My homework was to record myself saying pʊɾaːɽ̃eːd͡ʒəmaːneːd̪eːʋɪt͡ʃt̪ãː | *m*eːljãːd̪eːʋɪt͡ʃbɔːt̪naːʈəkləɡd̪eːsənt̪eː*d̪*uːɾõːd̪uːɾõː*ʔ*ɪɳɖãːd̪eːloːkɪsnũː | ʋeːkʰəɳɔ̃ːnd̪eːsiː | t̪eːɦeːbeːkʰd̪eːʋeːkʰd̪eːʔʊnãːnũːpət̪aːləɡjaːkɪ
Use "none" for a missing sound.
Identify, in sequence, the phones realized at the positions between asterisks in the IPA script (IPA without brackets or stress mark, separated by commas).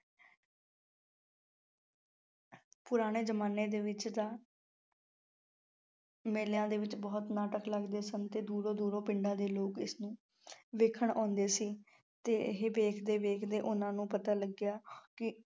m, d̪, p